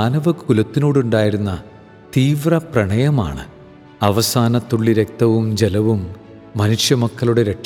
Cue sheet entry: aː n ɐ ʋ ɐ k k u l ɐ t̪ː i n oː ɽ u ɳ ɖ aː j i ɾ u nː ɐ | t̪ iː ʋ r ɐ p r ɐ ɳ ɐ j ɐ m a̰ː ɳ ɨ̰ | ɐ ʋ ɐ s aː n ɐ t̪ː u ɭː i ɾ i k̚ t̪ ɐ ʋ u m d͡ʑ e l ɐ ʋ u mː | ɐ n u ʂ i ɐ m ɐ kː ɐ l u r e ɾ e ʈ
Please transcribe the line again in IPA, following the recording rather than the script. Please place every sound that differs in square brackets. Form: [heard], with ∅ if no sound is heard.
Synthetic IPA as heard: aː n ɐ ʋ ɐ k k u l ɐ t̪ː i n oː ɽ u ɳ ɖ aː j i ɾ u nː ɐ | t̪ iː ʋ r ɐ p r ɐ ɳ ɐ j ɐ m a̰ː ɳ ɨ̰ | ɐ ʋ ɐ s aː n ɐ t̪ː u ɭː i ɾ [e] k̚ t̪ ɐ ʋ u m d͡ʑ e l ɐ ʋ u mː | ɐ n u ʂ [j] ɐ m ɐ kː ɐ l u [ɽ] e ɾ e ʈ